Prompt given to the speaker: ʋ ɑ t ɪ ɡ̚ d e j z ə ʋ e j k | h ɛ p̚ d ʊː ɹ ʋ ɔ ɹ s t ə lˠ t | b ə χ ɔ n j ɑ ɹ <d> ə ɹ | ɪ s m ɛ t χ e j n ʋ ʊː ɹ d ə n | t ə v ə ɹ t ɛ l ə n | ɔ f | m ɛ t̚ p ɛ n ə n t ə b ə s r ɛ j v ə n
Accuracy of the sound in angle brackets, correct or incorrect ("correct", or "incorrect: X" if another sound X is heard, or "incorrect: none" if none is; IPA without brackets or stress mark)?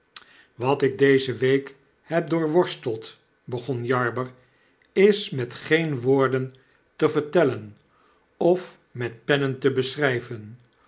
incorrect: b